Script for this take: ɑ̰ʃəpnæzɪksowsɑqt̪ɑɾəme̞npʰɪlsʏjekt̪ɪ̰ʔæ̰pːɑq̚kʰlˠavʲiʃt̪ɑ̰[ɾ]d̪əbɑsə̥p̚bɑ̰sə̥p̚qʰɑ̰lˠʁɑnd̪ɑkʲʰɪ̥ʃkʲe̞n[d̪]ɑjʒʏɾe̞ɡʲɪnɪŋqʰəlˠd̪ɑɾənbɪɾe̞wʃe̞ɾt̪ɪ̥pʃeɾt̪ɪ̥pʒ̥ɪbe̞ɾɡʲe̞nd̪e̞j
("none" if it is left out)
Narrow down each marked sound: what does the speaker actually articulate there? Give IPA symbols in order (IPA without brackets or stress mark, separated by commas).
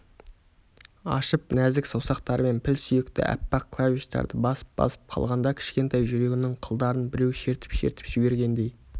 ɾ, t̪